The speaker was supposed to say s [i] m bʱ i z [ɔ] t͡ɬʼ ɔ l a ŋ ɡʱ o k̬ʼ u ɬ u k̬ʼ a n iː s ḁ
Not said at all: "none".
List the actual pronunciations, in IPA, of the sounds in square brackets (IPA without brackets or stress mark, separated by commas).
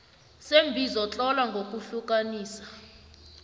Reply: e, ɔ